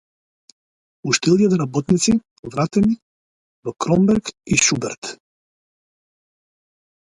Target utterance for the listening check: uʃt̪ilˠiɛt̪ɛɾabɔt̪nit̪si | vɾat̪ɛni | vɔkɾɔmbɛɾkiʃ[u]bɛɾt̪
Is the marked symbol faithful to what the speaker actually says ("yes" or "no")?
yes